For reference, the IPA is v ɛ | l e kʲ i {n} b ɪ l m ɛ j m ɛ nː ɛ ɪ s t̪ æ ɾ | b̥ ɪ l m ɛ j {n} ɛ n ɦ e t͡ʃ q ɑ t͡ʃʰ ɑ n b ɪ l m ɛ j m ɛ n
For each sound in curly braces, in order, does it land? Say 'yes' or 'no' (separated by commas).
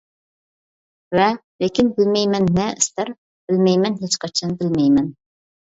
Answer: yes, no